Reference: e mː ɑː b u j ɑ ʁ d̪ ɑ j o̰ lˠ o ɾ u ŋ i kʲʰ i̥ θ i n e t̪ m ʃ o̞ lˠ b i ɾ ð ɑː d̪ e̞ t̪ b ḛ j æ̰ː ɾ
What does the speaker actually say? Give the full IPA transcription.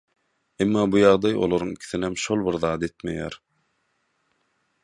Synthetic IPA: e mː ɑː b u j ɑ ʁ d̪ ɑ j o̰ lˠ o ɾ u ŋ i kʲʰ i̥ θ i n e m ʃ o̞ lˠ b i ɾ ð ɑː d̪ e̞ t̪ m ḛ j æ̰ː ɾ